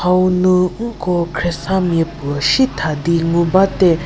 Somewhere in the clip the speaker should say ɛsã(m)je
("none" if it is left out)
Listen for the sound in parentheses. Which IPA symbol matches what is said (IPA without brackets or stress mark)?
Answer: m